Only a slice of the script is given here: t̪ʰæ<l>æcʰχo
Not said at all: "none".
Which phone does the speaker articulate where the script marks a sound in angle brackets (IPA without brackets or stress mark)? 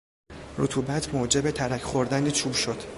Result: ɾ